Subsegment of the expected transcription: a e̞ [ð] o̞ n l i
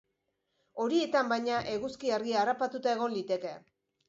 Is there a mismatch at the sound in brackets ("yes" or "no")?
yes